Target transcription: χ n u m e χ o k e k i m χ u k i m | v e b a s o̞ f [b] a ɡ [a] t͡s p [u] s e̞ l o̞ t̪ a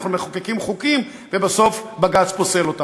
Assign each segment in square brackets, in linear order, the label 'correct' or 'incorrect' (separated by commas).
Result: correct, correct, incorrect